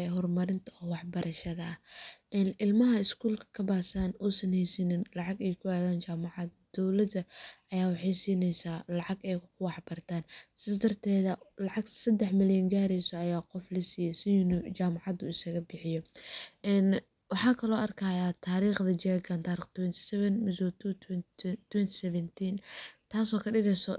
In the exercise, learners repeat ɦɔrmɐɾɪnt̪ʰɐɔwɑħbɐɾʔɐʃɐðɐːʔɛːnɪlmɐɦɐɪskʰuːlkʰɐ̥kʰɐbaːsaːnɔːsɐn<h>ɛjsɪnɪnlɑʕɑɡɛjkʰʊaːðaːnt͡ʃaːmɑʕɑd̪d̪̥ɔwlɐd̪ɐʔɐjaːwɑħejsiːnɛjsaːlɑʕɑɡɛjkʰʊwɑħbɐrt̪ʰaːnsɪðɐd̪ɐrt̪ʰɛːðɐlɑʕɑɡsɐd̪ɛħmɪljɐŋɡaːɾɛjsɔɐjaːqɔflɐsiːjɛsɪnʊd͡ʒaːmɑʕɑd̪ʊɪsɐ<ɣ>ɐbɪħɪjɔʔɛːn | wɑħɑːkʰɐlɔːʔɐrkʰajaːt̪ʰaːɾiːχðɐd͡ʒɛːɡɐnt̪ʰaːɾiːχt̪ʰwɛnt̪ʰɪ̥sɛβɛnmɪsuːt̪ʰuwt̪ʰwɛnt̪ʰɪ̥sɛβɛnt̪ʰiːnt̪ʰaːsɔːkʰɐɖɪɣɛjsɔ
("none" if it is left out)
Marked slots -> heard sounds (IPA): h, ɣ

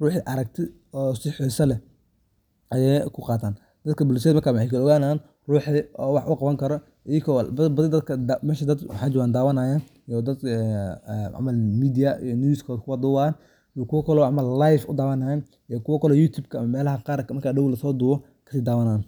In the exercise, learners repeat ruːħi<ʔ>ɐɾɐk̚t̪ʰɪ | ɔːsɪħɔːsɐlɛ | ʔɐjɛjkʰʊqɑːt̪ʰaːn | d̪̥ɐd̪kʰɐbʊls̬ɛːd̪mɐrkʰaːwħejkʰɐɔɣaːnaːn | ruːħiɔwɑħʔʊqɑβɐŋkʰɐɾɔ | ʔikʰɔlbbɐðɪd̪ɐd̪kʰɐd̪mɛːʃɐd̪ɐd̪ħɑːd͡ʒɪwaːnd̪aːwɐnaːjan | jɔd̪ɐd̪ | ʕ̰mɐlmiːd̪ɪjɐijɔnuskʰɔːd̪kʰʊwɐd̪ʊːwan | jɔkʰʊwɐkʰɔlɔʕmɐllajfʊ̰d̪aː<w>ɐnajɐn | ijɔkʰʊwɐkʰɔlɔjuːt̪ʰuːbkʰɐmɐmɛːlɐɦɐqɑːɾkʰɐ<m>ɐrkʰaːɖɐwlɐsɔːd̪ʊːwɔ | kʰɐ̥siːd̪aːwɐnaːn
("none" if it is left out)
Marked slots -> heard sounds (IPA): ʔ, w, m

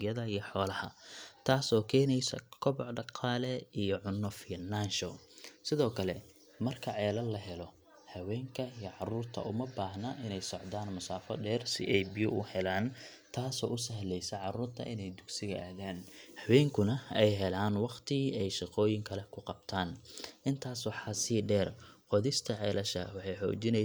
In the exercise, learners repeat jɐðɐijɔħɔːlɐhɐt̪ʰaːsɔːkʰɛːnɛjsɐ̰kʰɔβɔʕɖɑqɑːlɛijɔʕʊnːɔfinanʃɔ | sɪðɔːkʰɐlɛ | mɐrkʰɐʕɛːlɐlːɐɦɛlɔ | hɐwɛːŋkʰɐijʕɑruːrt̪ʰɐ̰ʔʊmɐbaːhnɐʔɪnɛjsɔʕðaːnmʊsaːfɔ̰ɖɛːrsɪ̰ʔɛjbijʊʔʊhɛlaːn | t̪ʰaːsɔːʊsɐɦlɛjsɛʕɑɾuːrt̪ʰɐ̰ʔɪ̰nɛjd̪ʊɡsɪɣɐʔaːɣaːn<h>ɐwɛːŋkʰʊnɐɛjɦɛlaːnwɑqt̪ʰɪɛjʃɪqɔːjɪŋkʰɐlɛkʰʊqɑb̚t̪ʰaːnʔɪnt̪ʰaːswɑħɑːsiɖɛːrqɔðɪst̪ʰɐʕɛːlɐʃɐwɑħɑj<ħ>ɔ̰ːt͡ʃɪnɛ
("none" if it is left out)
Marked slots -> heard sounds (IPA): h, ħ

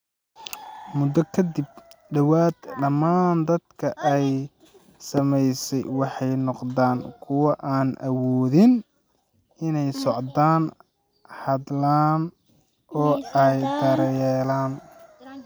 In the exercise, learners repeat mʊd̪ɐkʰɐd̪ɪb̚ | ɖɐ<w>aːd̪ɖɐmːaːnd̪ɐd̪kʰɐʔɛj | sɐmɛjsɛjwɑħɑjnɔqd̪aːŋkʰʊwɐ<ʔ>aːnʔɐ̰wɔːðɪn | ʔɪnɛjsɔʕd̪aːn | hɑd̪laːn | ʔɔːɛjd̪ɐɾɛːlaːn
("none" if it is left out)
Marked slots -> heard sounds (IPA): w, ʔ

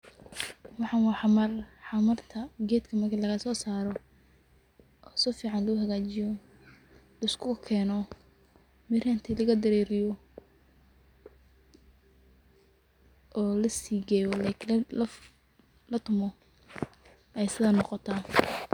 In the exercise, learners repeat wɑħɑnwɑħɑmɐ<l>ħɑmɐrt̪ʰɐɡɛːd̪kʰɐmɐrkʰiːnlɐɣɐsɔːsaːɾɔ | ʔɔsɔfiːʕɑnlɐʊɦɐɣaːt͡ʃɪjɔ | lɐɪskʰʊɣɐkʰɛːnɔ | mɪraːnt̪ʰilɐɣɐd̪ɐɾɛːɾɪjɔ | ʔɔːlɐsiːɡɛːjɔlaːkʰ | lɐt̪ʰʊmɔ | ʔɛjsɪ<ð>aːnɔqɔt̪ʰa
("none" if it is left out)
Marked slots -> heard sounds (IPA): r, ð

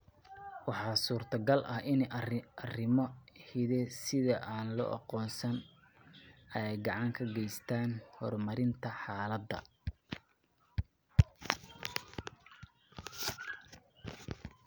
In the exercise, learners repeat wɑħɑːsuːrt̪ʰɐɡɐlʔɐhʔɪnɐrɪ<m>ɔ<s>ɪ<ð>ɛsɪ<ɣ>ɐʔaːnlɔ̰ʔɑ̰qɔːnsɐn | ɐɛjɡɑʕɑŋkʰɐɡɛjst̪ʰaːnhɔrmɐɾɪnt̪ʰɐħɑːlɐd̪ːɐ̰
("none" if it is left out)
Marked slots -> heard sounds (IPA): m, h, ð, ð

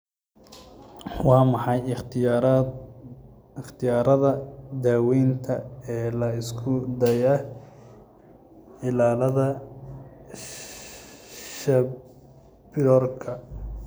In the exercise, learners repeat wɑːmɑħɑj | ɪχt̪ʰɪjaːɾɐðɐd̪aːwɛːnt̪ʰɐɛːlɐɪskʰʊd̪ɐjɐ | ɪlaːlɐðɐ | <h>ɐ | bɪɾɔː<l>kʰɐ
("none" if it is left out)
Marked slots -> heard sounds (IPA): ʃ, r

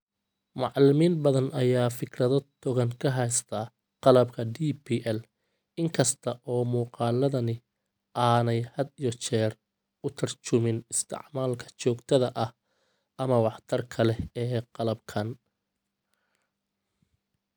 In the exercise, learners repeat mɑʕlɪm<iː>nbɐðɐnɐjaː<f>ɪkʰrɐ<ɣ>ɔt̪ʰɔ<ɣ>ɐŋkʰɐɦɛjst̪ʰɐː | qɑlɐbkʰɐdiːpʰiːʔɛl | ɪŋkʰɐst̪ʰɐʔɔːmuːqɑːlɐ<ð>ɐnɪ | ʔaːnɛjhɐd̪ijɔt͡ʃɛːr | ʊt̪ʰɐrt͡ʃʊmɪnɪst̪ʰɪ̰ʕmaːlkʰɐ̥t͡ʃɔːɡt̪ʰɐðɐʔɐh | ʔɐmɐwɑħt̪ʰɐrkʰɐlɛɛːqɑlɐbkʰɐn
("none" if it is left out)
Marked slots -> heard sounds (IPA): iː, f, ð, ɣ, ð

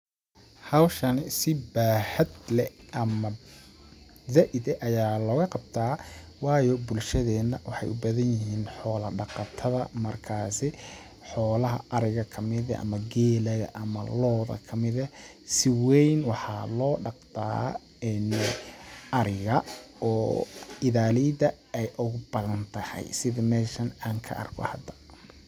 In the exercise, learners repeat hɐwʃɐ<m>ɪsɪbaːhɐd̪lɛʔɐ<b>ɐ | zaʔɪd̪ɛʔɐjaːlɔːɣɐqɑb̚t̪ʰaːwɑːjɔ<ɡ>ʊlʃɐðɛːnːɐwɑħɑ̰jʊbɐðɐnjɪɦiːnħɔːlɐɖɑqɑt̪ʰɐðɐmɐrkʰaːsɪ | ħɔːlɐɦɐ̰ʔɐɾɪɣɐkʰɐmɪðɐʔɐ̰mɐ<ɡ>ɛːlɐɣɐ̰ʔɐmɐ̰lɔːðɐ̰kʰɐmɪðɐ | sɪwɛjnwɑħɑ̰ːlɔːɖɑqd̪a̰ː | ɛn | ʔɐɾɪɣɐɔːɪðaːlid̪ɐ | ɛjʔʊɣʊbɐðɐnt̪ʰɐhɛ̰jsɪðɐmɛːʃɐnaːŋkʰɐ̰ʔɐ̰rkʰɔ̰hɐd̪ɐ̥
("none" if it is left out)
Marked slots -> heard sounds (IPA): n, m, b, ɡ

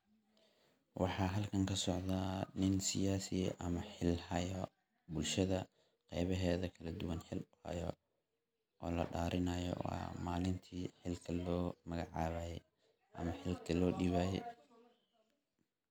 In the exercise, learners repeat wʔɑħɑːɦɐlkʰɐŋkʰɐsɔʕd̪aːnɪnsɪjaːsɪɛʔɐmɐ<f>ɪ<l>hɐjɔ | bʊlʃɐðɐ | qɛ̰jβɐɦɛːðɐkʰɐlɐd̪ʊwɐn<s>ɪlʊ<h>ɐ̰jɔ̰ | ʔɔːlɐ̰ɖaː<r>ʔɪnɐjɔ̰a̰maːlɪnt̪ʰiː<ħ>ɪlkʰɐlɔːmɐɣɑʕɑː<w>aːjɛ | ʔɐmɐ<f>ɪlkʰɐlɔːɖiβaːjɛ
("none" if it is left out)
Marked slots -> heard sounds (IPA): ħ, l, ħ, h, ɾ, ħ, β, ħ

